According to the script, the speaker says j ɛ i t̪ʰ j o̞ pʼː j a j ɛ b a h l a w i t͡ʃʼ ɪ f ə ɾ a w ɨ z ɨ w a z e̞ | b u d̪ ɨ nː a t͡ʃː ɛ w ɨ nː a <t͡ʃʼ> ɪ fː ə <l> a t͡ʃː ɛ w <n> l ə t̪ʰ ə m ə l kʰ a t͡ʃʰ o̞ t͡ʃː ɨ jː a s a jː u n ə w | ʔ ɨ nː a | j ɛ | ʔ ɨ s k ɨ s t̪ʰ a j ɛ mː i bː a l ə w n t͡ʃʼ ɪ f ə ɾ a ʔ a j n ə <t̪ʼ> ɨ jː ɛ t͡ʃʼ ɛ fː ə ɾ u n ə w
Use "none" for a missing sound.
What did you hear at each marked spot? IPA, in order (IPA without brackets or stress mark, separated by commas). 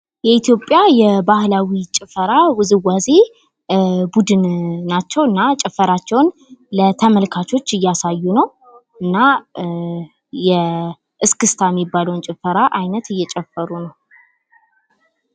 t͡ʃʼ, ɾ, n, t̪